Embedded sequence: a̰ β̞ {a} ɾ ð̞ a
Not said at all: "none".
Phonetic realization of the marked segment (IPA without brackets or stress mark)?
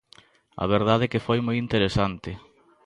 e